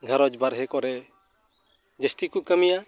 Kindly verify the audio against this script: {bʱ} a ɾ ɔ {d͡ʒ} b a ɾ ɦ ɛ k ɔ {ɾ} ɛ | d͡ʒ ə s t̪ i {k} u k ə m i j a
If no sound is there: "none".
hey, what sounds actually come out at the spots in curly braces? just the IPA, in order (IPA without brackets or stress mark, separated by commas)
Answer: ɡʱ, d͡ʒ, ɾ, k